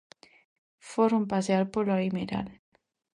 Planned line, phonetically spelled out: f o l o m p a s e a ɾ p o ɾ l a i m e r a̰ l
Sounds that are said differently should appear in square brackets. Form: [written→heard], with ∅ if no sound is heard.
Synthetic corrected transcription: f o [l→ɾ] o m p a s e a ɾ p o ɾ l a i m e [r→ɾ] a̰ l